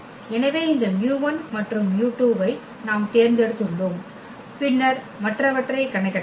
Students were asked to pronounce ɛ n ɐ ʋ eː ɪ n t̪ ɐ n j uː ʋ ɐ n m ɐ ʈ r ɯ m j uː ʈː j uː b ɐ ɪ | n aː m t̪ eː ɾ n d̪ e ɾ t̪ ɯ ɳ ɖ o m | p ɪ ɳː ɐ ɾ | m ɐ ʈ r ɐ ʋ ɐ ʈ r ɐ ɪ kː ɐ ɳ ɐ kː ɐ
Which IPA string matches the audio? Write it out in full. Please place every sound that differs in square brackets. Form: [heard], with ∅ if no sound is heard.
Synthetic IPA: ɛ n ɐ ʋ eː ɪ n [d̪] ɐ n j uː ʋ ɐ n m ɐ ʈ r ɯ m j uː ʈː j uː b ɐ ɪ | n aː m t̪ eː ɾ n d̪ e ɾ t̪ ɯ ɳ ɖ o m | p ɪ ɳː ɐ ɾ | m ɐ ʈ r ɐ ʋ ɐ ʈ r ɐ ɪ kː ɐ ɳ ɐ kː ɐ